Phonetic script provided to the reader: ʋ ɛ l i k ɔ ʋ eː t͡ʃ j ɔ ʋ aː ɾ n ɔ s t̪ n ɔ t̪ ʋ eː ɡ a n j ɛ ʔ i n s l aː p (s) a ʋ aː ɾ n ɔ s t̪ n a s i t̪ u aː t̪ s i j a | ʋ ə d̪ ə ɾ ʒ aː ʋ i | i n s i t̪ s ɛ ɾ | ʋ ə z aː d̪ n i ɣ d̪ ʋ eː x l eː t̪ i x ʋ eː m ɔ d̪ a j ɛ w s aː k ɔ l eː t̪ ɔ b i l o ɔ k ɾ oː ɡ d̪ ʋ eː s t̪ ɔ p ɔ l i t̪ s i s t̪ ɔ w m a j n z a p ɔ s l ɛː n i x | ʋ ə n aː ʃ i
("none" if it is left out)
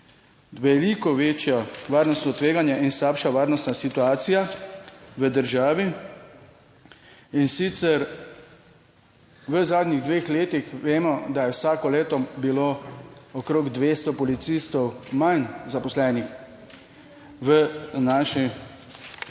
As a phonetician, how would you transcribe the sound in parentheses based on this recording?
ʃ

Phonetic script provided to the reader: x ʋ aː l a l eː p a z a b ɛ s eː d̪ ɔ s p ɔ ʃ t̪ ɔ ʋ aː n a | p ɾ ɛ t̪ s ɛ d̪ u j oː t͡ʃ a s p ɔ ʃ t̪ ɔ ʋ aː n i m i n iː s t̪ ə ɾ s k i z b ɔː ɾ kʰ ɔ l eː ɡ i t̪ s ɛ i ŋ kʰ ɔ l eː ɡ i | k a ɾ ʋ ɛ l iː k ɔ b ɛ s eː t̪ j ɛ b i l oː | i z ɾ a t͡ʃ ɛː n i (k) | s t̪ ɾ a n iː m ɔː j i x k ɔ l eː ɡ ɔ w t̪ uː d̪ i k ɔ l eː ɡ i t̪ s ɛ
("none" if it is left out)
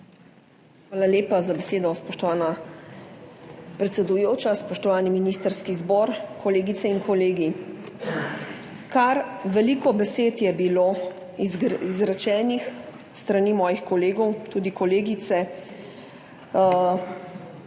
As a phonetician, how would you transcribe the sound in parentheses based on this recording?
x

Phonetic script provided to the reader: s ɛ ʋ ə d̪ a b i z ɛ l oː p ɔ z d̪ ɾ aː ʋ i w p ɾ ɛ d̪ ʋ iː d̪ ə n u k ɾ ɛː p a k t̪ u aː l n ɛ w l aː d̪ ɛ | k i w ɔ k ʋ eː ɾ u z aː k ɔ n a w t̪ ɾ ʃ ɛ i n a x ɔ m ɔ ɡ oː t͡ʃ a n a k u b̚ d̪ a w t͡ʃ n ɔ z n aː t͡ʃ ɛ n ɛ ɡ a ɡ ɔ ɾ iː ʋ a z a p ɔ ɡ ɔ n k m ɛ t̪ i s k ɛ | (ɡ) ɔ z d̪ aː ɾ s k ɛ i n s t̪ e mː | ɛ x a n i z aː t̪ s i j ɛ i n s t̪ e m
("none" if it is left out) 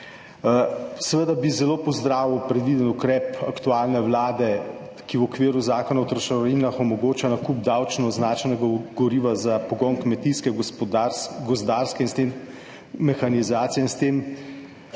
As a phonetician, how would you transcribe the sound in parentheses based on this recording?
ɡ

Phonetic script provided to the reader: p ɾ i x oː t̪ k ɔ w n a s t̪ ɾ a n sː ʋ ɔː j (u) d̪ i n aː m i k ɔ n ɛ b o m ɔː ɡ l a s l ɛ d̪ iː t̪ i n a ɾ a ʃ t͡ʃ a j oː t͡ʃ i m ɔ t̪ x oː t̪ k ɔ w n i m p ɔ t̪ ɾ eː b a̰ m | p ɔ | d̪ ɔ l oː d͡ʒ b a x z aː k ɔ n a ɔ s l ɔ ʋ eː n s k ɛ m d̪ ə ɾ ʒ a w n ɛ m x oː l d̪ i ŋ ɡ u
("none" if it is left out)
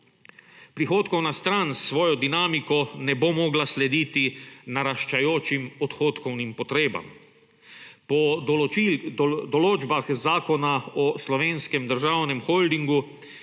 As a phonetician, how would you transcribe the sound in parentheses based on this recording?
ɔ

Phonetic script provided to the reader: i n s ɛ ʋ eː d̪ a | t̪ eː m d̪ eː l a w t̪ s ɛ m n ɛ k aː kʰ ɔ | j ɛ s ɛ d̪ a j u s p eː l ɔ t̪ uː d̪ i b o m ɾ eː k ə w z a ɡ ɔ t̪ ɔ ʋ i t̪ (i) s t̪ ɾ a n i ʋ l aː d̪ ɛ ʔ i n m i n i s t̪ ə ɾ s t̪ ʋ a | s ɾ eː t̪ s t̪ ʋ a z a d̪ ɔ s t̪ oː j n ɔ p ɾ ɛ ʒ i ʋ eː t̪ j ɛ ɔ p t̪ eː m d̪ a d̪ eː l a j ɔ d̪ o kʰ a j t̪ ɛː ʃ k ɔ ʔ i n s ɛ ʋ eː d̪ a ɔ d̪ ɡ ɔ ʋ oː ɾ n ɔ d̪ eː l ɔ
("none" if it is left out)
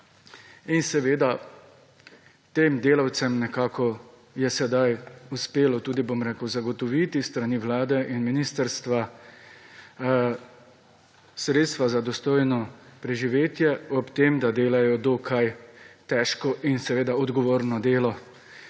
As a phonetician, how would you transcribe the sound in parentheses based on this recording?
i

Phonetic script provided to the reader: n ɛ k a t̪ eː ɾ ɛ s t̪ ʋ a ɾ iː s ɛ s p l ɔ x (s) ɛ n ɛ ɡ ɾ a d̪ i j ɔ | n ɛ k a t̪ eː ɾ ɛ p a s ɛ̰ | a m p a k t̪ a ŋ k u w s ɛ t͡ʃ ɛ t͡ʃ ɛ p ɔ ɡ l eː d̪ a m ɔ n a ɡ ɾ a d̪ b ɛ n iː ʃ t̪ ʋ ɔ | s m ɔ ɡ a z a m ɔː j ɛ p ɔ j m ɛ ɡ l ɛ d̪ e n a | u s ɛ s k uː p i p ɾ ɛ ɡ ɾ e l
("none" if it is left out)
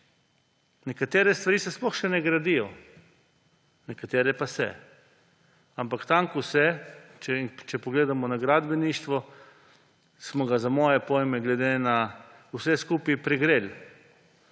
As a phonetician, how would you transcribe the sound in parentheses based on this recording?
ʃ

